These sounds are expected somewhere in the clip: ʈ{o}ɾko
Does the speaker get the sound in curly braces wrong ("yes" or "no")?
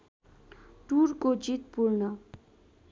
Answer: yes